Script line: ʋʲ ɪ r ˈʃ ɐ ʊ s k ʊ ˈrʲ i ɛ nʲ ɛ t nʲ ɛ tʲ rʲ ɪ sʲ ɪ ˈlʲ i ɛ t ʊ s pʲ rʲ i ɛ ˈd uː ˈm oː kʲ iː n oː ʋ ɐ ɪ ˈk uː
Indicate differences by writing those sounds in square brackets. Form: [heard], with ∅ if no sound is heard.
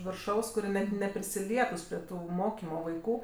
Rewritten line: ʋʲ ɪ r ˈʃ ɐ ʊ s k ʊ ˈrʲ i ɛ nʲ ɛ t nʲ ɛ [pʲ] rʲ ɪ sʲ ɪ ˈlʲ i ɛ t ʊ s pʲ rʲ i ɛ [ˈt] uː ˈm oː kʲ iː [m] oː ʋ ɐ ɪ ˈk uː

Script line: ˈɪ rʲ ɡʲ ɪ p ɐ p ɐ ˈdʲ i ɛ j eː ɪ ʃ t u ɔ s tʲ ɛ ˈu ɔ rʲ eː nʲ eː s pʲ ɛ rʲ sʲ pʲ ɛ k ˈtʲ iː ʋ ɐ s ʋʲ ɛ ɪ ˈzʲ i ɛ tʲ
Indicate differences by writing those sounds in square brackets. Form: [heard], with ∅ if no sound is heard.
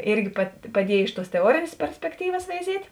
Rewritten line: ˈɪ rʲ ɡʲ ɪ p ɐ p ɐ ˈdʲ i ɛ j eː ɪ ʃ t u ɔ s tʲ ɛ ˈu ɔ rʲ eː nʲ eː s pʲ ɛ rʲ sʲ pʲ ɛ k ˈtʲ iː ʋ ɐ s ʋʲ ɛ ɪ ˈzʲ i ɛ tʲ

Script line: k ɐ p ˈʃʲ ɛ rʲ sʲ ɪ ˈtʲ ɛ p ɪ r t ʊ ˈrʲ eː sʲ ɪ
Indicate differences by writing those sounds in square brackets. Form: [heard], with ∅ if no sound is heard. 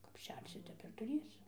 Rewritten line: k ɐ p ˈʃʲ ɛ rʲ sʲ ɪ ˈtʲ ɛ p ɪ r t ʊ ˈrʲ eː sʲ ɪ

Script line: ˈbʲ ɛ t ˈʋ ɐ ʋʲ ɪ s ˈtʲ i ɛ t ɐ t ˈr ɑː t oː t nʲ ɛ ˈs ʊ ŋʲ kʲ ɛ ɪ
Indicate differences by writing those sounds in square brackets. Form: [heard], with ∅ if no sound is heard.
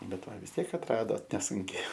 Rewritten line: ˈbʲ ɛ t ˈʋ ɐ ʋʲ ɪ s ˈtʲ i ɛ [k] ɐ t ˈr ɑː [d] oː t nʲ ɛ ˈs ʊ ŋʲ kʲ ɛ ɪ

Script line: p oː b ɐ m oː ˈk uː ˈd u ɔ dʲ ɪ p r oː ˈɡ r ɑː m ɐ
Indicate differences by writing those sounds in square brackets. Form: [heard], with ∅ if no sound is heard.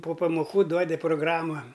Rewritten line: p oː [p] ɐ m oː ˈk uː ˈd u ɔ dʲ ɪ p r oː ˈɡ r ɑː m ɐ

